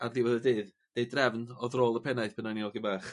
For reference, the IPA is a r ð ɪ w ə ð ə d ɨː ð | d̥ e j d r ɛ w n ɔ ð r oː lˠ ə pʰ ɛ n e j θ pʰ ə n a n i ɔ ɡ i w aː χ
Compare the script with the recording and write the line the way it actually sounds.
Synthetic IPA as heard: a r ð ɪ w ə ð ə d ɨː ð | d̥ e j d r ɛ v n ɔ ð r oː lˠ ə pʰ ɛ n a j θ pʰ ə n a n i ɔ ɡ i b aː χ